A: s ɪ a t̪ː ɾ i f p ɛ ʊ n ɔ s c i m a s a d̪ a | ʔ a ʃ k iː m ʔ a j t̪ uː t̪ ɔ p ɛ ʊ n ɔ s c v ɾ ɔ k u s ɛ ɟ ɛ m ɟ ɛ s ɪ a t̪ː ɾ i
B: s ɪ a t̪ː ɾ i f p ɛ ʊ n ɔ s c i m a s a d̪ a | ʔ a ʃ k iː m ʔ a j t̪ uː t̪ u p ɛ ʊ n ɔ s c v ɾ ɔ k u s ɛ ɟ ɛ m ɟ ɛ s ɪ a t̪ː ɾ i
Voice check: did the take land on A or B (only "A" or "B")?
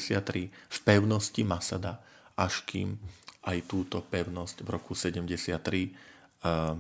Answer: A